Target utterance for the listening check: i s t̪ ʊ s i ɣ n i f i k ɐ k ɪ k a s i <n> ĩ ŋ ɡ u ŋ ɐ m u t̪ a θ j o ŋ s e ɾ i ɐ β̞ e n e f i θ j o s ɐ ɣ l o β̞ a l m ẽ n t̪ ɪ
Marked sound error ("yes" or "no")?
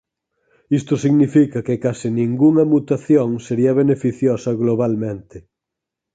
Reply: no